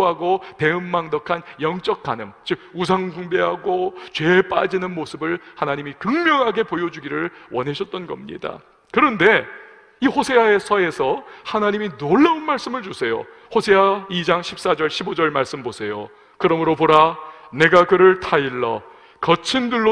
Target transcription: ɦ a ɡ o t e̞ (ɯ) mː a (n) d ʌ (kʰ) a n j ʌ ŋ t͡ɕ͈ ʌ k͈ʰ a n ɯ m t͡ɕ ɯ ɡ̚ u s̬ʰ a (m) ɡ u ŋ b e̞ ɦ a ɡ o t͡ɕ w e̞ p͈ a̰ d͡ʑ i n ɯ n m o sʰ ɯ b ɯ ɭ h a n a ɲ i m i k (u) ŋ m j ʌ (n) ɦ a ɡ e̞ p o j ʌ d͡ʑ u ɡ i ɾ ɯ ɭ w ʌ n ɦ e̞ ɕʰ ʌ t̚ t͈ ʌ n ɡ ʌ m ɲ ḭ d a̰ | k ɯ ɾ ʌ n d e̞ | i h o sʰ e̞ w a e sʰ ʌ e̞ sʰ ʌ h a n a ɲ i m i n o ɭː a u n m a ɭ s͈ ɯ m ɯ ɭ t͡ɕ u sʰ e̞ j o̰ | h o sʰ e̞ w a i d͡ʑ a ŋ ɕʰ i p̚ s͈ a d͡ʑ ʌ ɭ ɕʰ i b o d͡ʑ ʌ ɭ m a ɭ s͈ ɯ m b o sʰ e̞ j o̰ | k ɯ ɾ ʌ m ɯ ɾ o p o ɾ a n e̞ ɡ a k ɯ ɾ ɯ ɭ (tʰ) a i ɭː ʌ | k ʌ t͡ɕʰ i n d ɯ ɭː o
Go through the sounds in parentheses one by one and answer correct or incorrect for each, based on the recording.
correct, incorrect, correct, incorrect, incorrect, incorrect, correct

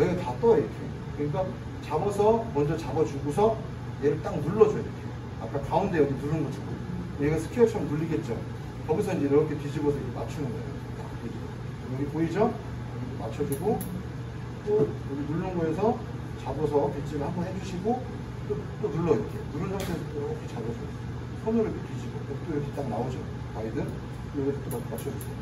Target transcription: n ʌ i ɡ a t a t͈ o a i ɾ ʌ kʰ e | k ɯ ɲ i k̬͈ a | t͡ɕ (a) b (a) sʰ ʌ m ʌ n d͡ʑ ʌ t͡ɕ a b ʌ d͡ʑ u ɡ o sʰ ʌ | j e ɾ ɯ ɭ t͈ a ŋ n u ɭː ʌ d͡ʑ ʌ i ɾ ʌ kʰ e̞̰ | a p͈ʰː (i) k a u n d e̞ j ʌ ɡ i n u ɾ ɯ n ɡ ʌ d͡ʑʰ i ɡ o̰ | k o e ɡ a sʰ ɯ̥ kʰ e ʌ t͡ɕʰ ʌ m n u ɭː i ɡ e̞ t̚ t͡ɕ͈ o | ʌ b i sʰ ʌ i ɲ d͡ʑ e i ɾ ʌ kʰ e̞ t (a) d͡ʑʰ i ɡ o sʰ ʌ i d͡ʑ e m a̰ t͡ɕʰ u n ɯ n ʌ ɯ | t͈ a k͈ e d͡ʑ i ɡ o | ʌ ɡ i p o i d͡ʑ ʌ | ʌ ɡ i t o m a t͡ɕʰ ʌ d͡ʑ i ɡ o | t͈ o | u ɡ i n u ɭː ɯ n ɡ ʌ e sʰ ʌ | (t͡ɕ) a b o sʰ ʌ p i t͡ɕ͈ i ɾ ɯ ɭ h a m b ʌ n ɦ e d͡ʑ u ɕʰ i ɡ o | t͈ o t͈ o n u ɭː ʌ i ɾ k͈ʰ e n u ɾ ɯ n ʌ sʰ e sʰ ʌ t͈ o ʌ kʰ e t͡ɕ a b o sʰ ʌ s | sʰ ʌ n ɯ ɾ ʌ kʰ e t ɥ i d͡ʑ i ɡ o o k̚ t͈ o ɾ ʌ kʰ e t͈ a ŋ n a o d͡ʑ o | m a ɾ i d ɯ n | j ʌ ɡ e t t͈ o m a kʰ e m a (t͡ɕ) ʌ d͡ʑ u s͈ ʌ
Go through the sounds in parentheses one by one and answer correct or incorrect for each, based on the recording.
correct, incorrect, incorrect, incorrect, correct, incorrect

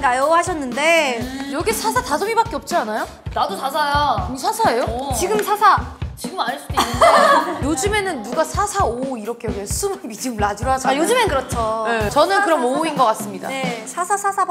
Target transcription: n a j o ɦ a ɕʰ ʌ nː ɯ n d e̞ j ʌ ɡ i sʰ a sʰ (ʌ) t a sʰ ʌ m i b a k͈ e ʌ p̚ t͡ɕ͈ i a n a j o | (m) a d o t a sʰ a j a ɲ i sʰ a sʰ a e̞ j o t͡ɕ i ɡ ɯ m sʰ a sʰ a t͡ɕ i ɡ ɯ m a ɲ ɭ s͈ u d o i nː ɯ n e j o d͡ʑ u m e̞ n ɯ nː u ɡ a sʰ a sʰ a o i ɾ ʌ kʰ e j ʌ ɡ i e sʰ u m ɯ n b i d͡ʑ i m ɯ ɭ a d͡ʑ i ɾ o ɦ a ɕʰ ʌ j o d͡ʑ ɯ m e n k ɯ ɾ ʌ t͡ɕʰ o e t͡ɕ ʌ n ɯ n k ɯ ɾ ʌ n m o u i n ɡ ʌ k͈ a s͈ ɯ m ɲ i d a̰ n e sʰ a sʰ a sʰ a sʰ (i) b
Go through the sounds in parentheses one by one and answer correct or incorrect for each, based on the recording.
incorrect, incorrect, incorrect

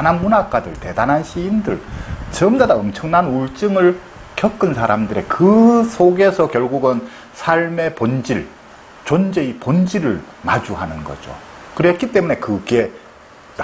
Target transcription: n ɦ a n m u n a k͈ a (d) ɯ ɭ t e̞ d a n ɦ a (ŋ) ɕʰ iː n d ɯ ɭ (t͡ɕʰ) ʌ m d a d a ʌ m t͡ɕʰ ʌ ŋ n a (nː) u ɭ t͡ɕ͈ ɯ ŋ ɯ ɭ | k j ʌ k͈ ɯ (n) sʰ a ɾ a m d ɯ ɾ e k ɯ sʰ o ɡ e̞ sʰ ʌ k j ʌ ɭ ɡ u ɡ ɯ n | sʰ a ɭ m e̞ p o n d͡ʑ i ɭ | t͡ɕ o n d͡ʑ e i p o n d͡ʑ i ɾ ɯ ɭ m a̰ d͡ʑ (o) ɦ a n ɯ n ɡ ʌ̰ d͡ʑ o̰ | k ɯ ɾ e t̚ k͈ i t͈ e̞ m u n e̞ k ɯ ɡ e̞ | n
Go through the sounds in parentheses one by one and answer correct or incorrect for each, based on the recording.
correct, incorrect, incorrect, incorrect, correct, incorrect

